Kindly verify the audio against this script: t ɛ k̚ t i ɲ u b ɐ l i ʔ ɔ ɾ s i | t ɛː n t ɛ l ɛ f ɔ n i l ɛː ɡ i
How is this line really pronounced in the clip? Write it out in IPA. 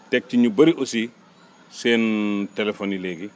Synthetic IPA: t ɛ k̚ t i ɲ u b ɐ ɾ i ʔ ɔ s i | s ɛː n t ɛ l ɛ f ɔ n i l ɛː ɡ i